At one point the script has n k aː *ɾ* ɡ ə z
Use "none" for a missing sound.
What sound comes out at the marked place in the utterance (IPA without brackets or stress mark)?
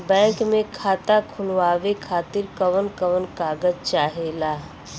none